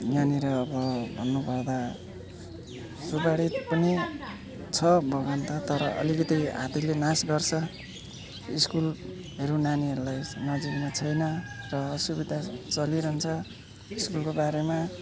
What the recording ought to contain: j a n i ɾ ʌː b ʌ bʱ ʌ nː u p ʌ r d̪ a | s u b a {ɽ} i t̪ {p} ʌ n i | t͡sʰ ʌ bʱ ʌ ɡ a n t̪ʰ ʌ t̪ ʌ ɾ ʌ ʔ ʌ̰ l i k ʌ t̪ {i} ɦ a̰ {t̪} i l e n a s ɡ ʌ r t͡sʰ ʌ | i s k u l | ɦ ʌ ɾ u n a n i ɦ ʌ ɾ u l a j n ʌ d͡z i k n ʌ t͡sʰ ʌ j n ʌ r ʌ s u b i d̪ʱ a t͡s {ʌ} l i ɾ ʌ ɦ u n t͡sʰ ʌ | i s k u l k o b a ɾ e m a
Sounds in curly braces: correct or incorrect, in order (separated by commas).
correct, correct, correct, correct, correct